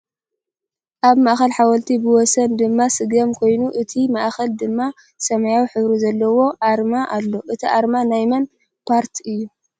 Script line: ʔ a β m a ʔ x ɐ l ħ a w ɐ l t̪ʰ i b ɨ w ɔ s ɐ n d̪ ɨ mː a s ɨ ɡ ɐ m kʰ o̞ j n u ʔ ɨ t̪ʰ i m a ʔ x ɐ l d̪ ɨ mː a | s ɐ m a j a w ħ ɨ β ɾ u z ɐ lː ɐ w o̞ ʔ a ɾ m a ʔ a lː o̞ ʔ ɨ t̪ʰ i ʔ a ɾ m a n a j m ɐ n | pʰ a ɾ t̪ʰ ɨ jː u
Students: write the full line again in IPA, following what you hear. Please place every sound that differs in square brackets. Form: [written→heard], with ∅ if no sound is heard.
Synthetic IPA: ʔ a β m a ʔ x ɐ l ħ a w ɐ l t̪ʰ i b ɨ w ɔ s ɐ n d̪ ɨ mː a s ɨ ɡ ɐ m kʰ o̞ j n u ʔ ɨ t̪ʰ i m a ʔ x ɐ l d̪ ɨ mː a | s ɐ m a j a w ħ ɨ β ɾ u z ɐ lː ɐ w o̞ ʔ a ɾ m a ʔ a lː o̞ ʔ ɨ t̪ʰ i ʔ a ɾ m a n a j m ɐ n | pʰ a ɾ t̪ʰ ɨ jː u